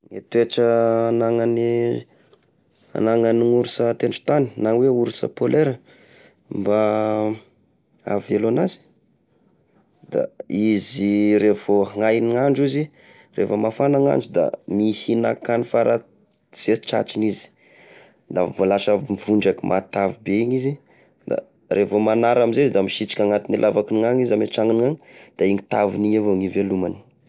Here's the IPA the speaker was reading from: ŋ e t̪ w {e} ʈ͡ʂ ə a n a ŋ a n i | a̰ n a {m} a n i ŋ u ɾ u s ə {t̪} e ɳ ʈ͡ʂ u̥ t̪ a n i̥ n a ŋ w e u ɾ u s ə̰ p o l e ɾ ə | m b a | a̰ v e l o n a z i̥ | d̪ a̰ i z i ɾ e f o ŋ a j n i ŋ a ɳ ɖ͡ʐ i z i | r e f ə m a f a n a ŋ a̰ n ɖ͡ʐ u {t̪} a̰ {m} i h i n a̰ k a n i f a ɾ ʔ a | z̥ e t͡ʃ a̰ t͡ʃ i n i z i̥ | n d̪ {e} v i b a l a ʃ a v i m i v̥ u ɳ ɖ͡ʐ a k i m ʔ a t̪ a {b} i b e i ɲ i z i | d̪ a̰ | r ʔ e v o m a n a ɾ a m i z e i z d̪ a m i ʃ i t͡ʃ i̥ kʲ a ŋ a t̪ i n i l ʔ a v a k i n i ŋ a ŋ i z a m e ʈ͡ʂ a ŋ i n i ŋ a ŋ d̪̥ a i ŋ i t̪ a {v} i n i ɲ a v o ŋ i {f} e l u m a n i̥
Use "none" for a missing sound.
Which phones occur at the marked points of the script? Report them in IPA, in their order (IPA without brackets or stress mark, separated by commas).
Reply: e, ŋ, t̪, d̪, m, a, v, v, v